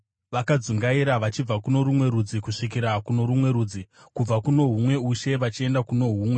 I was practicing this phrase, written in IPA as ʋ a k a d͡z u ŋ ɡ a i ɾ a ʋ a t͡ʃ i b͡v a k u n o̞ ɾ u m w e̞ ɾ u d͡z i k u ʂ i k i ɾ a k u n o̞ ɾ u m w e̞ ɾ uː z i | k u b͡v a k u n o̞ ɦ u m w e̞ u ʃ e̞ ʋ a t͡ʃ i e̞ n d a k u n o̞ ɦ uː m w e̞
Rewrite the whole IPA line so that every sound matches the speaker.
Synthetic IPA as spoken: ʋ a k a d͡z u ŋ ɡ a i ɾ a ʋ a t͡ʃ i b͡v a k u n o̞ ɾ u m w e̞ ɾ u d͡z i k u ʂ i k i ɾ a k u n o̞ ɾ u m w e̞ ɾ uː d͡z i | k u b͡v a k u n o̞ ɦ u m w e̞ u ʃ e̞ ʋ a t͡ʃ i e̞ n d a k u n o̞ ɦ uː m w e̞